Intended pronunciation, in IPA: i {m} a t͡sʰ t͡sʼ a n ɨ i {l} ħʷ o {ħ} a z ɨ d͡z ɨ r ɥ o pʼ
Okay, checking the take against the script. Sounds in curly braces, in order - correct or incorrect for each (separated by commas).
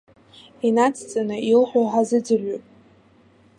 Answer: incorrect, correct, correct